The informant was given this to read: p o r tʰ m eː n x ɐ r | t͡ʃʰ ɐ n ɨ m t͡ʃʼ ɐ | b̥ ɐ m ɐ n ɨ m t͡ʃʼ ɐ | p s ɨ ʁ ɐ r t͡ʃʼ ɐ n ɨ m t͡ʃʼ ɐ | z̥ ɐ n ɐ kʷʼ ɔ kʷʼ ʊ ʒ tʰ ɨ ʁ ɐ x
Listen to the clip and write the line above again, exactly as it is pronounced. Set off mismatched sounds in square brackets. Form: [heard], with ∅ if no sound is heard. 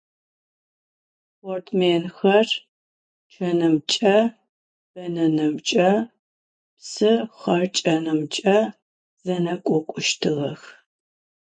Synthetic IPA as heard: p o r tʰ m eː n x ɐ r | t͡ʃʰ ɐ n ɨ m t͡ʃʼ ɐ | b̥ ɐ [n] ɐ n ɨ m t͡ʃʼ ɐ | p s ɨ [χ] ɐ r t͡ʃʼ ɐ n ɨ m t͡ʃʼ ɐ | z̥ ɐ n ɐ kʷʼ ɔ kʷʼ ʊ [ʃ] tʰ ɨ ʁ ɐ x